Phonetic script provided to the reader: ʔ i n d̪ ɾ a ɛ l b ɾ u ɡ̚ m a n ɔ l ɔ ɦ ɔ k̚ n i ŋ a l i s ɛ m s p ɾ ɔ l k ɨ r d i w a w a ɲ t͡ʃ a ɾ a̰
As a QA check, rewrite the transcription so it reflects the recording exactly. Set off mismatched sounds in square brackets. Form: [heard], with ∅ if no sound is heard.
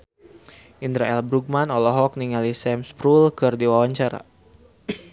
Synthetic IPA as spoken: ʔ i n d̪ ɾ a ɛ l b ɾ u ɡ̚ m a n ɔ l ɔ ɦ ɔ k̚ n i ŋ a l i s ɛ m s p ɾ [u] l k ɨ r d i w a w a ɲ t͡ʃ a ɾ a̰